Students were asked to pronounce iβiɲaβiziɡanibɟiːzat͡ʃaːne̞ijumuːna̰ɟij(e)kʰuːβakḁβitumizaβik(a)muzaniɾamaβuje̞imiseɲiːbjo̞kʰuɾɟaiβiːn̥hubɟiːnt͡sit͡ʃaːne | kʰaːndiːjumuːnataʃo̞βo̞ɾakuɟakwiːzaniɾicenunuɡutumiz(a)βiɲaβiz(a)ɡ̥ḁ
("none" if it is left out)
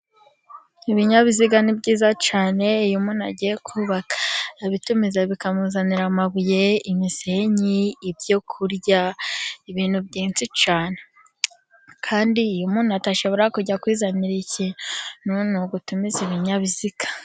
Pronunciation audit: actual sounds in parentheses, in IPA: e, a, i, i

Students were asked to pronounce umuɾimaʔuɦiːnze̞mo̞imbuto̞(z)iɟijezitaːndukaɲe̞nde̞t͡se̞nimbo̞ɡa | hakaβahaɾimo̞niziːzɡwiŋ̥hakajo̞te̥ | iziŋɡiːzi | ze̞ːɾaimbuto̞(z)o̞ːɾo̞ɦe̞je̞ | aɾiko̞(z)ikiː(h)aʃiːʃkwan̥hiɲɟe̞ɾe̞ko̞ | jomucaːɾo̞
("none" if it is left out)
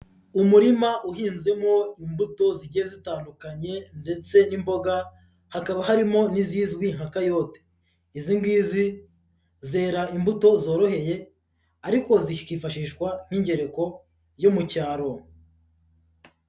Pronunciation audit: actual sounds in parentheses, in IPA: z, z, z, f

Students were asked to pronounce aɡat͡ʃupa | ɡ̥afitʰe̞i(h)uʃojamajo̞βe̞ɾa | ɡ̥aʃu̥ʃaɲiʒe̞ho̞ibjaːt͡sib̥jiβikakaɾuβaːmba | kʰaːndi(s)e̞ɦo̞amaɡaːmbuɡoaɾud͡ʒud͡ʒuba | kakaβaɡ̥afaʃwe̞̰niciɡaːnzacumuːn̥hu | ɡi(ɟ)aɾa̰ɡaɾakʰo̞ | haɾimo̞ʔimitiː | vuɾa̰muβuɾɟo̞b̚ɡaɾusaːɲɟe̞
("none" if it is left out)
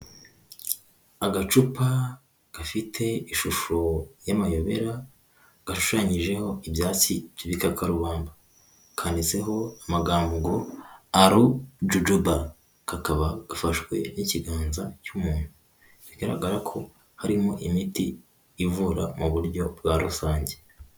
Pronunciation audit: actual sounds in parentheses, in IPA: ʃ, s, ɡ

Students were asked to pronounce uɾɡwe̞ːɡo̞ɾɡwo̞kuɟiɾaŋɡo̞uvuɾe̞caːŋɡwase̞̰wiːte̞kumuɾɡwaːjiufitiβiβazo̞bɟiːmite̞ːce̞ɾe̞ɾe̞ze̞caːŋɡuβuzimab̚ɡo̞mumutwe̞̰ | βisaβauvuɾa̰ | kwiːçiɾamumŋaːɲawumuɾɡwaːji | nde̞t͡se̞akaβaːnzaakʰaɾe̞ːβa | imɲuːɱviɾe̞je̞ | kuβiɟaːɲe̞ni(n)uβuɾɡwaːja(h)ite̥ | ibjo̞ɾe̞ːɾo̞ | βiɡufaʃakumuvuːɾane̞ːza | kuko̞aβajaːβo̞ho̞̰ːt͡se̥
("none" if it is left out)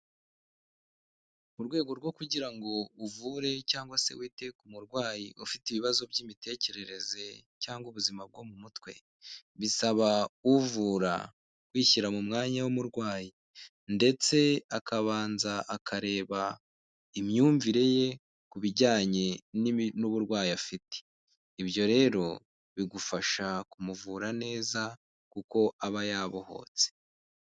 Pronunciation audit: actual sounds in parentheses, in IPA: n, f

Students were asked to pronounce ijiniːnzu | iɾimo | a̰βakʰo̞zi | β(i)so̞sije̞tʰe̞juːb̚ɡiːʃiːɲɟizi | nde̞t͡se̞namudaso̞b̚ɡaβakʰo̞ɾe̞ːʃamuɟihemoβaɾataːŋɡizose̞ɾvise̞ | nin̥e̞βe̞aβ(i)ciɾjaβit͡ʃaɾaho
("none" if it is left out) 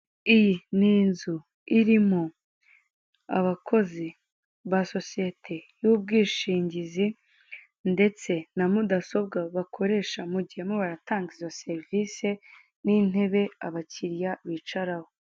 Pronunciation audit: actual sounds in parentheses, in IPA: a, a

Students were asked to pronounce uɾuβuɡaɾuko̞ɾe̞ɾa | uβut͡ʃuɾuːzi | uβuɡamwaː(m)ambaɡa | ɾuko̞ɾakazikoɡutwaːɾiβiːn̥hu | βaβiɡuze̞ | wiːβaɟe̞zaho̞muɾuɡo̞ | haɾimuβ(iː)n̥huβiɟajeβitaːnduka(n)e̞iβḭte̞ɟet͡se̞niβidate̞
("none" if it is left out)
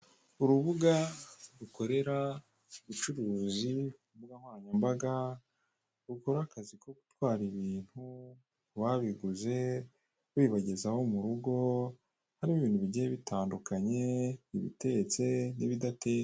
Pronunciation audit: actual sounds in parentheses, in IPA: ɲ, iː, ɲ

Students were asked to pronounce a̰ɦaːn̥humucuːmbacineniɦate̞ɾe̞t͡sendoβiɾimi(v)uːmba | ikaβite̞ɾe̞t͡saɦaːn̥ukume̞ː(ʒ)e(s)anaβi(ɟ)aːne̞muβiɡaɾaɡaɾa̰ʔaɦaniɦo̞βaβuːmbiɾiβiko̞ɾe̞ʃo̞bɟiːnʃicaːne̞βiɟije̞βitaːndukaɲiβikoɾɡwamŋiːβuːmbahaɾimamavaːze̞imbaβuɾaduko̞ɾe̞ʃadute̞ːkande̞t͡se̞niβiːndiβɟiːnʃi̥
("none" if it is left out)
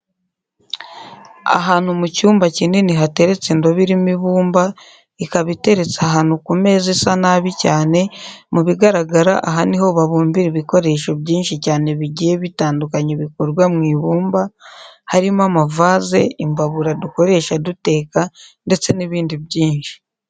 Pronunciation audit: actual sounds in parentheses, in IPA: β, z, s, c

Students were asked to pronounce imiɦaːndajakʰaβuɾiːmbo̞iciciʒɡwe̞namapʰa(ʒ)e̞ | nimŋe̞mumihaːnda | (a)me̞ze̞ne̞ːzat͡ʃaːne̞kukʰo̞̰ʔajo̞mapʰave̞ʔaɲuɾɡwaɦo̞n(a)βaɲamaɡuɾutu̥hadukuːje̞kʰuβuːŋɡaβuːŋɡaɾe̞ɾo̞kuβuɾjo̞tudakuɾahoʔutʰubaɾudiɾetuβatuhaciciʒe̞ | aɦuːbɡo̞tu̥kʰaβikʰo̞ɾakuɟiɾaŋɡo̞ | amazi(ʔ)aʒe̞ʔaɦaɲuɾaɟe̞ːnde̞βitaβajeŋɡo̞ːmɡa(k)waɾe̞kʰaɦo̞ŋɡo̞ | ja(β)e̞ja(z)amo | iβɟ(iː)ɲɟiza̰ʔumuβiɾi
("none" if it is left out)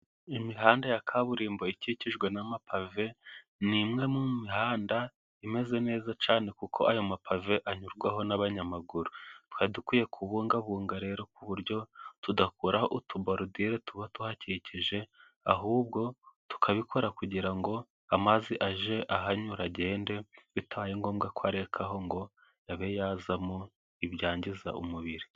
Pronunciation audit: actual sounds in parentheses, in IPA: v, i, a, ʔ, k, β, z, aː

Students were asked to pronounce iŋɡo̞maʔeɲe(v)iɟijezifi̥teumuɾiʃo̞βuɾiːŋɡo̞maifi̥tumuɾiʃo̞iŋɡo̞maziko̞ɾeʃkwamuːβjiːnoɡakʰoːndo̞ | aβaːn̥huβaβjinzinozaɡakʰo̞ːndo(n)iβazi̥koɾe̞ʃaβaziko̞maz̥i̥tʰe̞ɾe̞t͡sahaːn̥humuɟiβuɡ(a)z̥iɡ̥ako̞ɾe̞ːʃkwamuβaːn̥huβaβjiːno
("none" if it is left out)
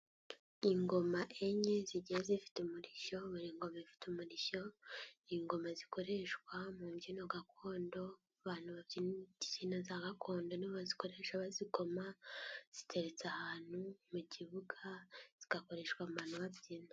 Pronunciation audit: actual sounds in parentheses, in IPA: z, n, a

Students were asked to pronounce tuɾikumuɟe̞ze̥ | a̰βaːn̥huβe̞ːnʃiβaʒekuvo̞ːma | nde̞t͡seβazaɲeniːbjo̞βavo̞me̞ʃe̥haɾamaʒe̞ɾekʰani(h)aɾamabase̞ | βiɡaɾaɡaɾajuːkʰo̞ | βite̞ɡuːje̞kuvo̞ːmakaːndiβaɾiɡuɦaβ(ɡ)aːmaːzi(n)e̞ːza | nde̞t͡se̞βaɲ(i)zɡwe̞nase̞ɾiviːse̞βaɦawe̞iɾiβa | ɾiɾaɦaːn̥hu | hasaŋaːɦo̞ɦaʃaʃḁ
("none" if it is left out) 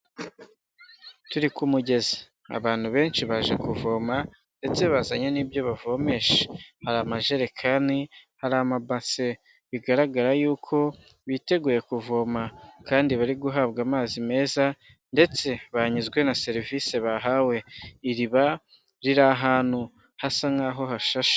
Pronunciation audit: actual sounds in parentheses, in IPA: h, ɡ, m, i

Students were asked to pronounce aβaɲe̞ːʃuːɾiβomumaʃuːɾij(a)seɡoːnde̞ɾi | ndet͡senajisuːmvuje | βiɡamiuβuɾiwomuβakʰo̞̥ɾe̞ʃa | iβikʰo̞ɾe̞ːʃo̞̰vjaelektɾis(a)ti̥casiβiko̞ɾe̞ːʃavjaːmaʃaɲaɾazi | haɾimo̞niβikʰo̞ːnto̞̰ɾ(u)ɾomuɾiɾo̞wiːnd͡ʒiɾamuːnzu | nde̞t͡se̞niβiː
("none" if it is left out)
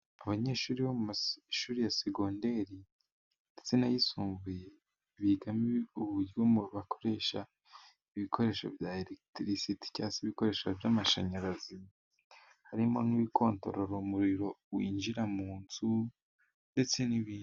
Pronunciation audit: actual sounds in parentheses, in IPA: a, i, o

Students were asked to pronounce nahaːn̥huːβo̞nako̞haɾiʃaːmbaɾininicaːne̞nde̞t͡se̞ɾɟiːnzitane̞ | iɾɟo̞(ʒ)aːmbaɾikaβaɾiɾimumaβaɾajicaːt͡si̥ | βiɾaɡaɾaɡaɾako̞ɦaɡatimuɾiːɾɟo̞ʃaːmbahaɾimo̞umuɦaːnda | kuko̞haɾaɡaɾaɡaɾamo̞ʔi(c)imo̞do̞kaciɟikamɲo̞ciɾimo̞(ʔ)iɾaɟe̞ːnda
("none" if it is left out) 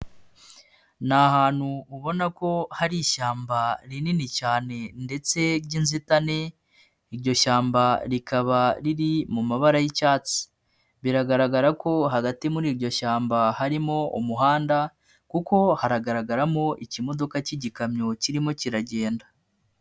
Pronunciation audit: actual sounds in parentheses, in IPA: ʃ, c, c

